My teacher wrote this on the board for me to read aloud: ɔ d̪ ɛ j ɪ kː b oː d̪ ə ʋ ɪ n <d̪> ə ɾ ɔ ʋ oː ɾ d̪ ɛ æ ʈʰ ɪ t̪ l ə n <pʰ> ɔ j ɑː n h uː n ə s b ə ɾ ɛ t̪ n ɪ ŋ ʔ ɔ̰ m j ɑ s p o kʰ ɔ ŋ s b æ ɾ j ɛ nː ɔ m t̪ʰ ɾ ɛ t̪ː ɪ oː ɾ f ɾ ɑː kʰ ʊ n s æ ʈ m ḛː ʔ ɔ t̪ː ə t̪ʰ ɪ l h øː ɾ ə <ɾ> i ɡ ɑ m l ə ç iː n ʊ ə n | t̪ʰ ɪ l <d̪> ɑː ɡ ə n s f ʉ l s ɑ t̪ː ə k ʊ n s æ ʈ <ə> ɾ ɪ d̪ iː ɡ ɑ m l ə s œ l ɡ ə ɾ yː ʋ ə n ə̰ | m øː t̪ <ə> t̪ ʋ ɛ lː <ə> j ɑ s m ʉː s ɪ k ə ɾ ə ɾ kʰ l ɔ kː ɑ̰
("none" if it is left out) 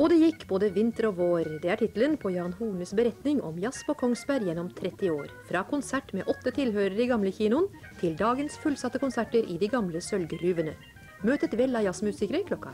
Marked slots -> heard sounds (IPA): t̪, pʰ, ɾ, d̪, ə, ə, ɑ

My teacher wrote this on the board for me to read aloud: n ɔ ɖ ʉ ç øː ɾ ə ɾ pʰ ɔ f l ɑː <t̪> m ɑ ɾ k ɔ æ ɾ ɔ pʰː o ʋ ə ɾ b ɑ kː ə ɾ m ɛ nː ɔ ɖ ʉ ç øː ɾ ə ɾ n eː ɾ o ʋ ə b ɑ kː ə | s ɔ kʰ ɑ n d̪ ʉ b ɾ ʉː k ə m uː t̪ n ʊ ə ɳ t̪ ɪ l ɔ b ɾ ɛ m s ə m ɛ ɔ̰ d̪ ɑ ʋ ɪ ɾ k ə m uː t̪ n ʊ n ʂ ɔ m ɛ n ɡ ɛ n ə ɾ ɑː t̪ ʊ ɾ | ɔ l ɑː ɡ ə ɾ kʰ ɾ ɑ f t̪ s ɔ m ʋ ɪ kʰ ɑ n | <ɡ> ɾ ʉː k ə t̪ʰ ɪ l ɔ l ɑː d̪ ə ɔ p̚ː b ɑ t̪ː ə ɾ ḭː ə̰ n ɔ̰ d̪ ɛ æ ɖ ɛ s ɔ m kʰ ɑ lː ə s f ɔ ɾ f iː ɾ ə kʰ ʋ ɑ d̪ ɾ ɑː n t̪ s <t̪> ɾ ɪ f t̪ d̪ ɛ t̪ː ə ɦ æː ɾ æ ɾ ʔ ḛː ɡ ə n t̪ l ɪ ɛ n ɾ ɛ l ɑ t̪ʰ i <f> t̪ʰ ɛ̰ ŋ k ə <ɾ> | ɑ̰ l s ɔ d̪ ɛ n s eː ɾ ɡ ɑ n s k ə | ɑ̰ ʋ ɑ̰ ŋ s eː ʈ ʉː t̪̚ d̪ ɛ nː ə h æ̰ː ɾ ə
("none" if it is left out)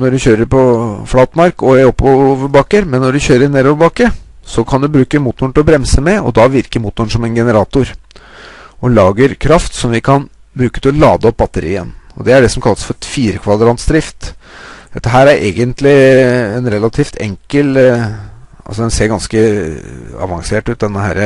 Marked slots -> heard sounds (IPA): t̪, b, d̪, f, l

